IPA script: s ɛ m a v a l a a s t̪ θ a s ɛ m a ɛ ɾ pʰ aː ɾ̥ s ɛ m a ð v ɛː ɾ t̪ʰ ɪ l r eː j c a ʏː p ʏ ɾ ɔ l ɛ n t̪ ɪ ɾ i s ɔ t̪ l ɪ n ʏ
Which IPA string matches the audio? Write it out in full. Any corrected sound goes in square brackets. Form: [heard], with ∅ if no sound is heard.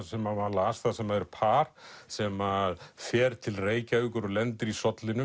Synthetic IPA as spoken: s ɛ m a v a l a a s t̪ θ a s ɛ m a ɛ ɾ pʰ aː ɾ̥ s ɛ m a ð [f] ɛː ɾ t̪ʰ ɪ l r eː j c a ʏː [k] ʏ ɾ ɔ l ɛ n t̪ ɪ ɾ i s ɔ t̪ l ɪ n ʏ